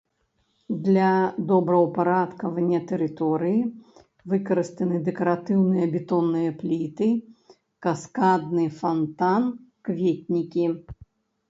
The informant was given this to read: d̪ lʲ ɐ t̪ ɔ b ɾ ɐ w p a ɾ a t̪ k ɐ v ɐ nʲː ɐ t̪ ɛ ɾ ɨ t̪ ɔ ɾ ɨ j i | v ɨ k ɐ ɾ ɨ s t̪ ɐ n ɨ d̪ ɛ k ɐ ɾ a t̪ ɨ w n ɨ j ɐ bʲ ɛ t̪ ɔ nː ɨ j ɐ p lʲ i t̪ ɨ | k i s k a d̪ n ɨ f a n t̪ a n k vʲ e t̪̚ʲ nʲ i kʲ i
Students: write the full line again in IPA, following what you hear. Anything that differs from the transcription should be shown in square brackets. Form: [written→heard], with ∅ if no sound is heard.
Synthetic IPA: d̪ lʲ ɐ [t̪→d̪] ɔ b ɾ ɐ w p a ɾ a t̪ k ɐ v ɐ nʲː ɐ t̪ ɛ ɾ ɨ t̪ ɔ ɾ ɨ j i | v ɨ k ɐ ɾ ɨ s t̪ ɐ n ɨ d̪ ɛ k ɐ ɾ a t̪ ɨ w n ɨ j ɐ bʲ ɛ t̪ ɔ nː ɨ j ɐ p lʲ i t̪ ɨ | k [i→a] s k a d̪ n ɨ f a n t̪ a n k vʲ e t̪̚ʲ nʲ i kʲ i

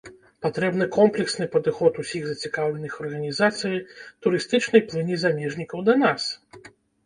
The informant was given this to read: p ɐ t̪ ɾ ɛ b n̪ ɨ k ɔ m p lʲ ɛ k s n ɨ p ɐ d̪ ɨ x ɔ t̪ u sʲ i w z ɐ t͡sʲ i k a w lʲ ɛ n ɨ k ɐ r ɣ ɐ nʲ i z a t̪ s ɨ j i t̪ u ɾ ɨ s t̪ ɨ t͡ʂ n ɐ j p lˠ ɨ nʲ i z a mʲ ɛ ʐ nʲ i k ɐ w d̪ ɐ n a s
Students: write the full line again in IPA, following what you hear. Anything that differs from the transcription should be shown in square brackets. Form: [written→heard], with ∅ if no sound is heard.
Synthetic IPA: p [ɐ→a] t̪ ɾ ɛ b n̪ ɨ k ɔ m p lʲ ɛ k s n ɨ p ɐ d̪ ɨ x ɔ t̪ u sʲ i [w→ɣ] z ɐ t͡sʲ i k a w lʲ ɛ n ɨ [k→x] ɐ r ɣ ɐ nʲ i z a t̪ s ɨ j i t̪ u ɾ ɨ s t̪ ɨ t͡ʂ n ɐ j p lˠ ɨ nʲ i z a mʲ ɛ ʐ nʲ i k ɐ w d̪ ɐ n a s

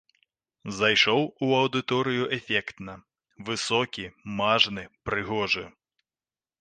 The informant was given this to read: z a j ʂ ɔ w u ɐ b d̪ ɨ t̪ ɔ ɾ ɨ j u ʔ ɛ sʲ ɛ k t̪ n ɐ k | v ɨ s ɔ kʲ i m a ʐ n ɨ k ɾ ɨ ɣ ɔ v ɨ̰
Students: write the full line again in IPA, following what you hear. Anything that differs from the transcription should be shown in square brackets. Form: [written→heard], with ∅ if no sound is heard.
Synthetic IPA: z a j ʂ ɔ w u ɐ [b→w] d̪ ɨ t̪ ɔ ɾ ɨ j u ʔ ɛ [sʲ→fʲ] ɛ k t̪ n ɐ [k→∅] | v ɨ s ɔ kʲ i m a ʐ n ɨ [k→p] ɾ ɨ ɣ ɔ [v→ʐ] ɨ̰

